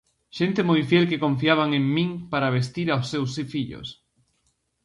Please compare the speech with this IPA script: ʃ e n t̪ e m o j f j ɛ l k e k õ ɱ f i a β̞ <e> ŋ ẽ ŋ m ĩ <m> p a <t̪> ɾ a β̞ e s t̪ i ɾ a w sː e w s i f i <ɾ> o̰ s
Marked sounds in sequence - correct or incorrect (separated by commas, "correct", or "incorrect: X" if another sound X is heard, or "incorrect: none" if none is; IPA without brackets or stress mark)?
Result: incorrect: a, incorrect: ŋ, incorrect: none, incorrect: ʎ